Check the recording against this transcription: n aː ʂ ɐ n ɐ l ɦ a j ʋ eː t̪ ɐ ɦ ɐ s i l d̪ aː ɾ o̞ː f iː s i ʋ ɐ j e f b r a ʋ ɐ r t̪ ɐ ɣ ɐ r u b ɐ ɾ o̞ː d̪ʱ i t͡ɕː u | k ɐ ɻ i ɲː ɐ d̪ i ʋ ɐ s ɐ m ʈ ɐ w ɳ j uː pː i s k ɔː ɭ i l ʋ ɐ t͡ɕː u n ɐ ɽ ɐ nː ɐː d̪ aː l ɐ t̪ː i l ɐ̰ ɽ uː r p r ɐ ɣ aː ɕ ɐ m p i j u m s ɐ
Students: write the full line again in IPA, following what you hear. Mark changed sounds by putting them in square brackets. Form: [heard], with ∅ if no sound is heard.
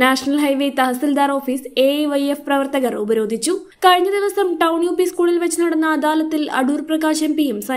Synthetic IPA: n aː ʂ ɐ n ɐ l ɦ [ɐ] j ʋ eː t̪ ɐ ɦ ɐ s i l d̪ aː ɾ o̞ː f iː s [e] ʋ ɐ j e f [p] r [ɐ] ʋ ɐ r t̪ ɐ ɣ ɐ r u b ɐ ɾ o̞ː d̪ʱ i t͡ɕː u | k ɐ ɻ i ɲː ɐ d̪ i ʋ ɐ s ɐ m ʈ ɐ w ɳ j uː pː i s k [uː] ɭ i l ʋ ɐ t͡ɕː u n ɐ ɽ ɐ nː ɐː d̪ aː l ɐ t̪ː i l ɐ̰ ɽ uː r p r ɐ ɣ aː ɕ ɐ m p i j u m s ɐ